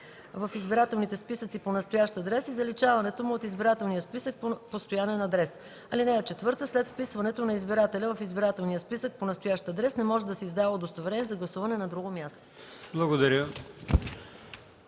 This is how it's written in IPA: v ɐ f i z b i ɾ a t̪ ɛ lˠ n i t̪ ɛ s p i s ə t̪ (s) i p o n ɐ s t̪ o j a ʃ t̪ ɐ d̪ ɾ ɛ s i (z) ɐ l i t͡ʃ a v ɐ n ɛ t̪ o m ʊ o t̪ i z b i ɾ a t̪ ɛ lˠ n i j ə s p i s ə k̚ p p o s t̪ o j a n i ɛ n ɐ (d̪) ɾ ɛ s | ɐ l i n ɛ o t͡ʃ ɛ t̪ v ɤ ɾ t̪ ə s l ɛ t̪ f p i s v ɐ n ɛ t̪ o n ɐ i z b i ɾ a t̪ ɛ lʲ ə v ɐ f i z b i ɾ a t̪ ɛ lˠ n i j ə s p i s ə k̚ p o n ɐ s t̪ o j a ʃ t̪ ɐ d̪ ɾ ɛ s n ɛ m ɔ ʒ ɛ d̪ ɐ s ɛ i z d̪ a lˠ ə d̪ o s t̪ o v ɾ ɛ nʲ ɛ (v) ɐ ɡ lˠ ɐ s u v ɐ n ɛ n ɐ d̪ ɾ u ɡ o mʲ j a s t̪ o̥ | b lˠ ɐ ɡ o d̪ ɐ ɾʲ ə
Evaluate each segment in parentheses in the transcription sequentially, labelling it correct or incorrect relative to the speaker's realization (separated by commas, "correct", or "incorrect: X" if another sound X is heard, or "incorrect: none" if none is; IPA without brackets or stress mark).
correct, correct, correct, incorrect: z